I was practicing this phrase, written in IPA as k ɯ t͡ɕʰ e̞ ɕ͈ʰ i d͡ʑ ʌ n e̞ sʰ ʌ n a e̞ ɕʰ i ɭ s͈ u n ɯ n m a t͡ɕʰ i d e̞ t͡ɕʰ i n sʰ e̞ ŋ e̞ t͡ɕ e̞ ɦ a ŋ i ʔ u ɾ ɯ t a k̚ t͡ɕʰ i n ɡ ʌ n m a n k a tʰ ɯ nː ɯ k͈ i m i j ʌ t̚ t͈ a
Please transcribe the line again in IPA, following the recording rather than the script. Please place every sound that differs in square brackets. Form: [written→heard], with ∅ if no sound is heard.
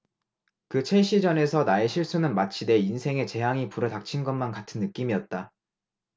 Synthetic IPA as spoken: k ɯ t͡ɕʰ e̞ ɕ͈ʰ i d͡ʑ ʌ n e̞ sʰ ʌ n a e̞ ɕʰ i ɭ s͈ u n ɯ n m a t͡ɕʰ i d e̞ [t͡ɕʰ→∅] i n sʰ e̞ ŋ e̞ t͡ɕ e̞ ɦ a ŋ i [ʔ→p] u ɾ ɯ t a k̚ t͡ɕʰ i n ɡ ʌ n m a n k a tʰ ɯ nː ɯ k͈ i m i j ʌ t̚ t͈ a